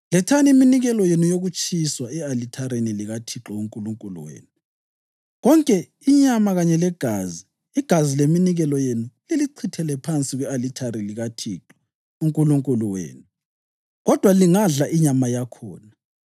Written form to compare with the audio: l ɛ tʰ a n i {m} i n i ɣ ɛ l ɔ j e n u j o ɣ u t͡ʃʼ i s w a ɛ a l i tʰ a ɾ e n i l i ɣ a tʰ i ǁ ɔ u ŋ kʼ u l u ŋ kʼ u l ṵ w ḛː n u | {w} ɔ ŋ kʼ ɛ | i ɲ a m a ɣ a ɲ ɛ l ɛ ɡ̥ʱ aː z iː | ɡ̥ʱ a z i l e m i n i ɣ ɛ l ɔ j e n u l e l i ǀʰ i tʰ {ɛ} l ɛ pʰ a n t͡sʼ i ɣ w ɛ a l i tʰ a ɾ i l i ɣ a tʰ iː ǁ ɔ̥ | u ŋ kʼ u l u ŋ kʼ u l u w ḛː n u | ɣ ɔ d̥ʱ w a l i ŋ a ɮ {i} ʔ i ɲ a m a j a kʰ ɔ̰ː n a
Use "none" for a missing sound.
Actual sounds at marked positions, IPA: m, ɣ, ɛ, a

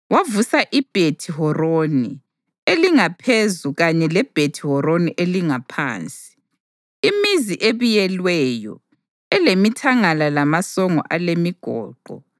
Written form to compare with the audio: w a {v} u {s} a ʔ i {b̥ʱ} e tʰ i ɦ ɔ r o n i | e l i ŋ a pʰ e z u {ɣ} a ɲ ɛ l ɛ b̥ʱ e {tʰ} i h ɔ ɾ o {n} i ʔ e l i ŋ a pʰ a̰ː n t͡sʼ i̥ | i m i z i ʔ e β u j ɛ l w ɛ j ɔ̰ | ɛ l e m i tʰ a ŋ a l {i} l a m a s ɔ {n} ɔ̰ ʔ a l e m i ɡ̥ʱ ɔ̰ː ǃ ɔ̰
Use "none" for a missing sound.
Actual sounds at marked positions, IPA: v, s, b̥ʱ, ɣ, tʰ, n, a, ŋ

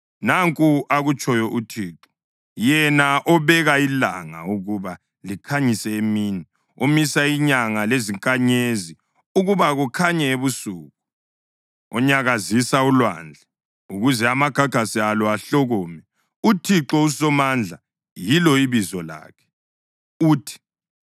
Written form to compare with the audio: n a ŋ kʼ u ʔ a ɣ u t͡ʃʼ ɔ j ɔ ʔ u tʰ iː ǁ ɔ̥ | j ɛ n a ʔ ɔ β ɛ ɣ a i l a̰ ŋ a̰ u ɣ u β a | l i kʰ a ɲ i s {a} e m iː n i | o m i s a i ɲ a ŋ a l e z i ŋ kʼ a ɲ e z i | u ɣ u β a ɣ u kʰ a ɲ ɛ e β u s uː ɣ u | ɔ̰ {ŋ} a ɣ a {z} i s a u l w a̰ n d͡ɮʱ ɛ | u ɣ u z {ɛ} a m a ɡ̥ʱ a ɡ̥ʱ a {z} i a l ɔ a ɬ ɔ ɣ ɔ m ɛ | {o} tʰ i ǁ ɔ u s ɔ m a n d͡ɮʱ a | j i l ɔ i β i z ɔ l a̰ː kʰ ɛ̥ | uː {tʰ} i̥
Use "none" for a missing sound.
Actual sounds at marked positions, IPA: ɛ, ɲ, z, ɛ, s, u, tʰ

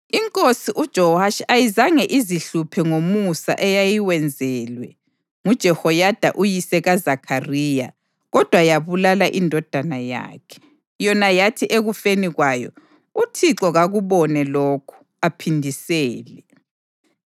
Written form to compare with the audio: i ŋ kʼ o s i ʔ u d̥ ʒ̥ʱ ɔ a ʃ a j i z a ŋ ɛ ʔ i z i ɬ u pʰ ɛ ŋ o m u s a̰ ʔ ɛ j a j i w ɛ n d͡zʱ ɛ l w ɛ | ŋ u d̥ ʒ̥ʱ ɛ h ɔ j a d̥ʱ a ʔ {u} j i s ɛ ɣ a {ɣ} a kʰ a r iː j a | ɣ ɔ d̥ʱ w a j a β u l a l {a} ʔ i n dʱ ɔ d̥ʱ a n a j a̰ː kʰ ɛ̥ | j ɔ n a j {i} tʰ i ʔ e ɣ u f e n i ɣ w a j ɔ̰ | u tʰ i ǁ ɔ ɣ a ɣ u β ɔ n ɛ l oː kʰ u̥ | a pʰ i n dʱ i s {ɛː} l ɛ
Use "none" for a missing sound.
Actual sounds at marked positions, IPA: u, z, a, a, ɛː

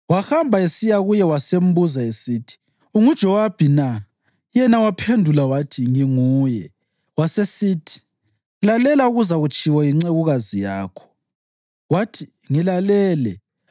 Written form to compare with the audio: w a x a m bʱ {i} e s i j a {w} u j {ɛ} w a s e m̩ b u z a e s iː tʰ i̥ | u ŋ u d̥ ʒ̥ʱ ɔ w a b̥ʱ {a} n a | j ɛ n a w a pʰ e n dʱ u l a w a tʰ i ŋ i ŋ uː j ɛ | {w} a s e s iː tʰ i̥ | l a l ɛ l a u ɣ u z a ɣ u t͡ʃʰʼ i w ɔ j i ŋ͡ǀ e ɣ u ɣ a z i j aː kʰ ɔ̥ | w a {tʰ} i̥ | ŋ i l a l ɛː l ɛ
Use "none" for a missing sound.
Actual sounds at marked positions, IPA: a, ɣ, ɛ, i, w, tʰ

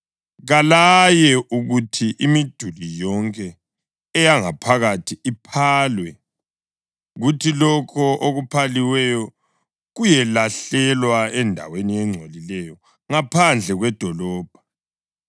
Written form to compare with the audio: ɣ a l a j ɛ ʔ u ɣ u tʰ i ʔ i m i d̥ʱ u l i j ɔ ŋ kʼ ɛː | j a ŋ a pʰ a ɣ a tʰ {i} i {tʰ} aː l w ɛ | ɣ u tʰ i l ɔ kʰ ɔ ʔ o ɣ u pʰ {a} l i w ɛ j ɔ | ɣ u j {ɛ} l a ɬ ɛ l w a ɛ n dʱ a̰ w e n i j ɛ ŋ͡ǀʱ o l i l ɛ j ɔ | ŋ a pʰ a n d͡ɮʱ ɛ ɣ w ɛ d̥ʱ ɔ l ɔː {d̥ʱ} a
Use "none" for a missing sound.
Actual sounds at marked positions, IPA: i, pʰ, a, ɛ, b̥ʱ

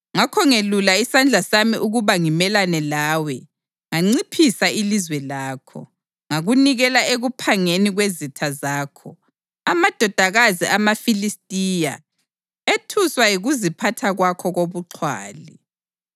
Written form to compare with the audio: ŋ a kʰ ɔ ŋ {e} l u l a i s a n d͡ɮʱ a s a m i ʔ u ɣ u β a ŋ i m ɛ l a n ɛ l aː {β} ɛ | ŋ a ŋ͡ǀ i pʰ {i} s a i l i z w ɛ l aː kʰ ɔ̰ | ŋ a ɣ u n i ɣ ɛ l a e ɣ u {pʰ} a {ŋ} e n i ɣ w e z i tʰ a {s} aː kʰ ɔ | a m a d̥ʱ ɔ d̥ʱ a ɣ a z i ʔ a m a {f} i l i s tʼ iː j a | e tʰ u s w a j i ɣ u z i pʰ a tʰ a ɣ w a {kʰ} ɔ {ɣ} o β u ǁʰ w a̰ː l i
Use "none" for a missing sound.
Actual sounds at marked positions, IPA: e, w, i, pʰ, ŋ, z, f, kʰ, ɣ

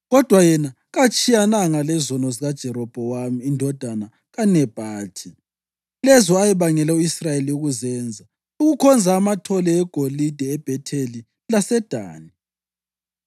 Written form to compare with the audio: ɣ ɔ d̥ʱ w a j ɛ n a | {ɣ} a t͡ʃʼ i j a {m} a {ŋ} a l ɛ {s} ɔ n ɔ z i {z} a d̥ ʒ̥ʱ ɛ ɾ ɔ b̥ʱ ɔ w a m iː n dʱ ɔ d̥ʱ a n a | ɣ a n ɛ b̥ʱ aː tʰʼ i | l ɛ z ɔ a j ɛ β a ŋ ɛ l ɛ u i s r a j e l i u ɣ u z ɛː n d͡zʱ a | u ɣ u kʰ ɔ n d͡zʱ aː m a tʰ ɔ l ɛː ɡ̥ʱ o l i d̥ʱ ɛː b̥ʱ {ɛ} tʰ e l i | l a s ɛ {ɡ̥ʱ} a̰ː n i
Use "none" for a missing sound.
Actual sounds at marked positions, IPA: ɣ, n, ŋ, z, ɣ, ɛ, d̥ʱ

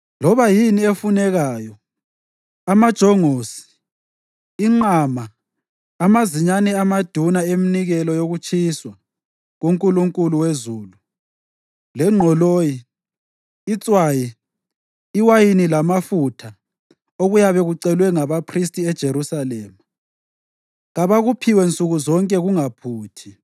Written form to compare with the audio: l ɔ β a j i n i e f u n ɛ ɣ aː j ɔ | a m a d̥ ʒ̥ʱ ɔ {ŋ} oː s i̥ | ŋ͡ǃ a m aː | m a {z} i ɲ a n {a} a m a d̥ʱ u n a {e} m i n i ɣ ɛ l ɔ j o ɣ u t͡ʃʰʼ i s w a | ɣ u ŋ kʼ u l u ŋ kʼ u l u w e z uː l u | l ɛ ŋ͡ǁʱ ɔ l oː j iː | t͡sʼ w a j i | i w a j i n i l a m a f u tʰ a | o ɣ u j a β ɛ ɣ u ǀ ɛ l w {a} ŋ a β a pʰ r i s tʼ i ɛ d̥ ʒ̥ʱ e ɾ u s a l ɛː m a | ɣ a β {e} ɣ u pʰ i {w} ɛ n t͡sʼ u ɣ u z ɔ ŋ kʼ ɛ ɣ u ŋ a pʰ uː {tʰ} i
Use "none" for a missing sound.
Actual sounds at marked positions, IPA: ŋ, z, ɛ, e, ɛ, a, w, tʰ

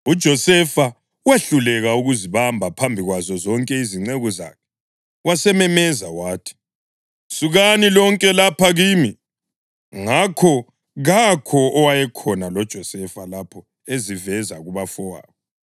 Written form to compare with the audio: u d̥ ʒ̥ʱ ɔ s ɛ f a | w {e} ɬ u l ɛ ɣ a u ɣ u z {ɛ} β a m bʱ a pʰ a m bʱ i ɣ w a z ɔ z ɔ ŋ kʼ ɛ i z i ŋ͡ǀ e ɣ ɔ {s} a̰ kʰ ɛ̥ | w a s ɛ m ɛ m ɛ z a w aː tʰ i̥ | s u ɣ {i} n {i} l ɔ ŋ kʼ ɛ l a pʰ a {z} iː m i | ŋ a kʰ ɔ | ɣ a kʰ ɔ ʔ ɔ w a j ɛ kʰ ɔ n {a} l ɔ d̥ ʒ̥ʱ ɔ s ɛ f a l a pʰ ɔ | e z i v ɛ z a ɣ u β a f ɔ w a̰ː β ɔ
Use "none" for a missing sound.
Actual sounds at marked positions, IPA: e, i, z, a, i, ɣ, a

